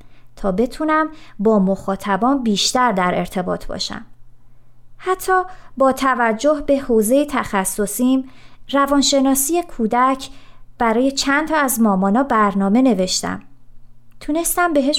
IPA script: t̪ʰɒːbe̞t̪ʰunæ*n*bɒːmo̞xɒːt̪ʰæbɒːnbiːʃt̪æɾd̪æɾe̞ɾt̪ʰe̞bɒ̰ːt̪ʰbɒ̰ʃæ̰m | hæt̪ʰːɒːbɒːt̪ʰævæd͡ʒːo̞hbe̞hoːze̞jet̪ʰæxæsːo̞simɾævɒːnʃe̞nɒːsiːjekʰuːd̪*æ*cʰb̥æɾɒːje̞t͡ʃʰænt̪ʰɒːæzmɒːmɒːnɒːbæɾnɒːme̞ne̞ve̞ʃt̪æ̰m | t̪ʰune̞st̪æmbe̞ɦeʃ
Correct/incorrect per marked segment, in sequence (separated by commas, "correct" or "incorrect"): incorrect, correct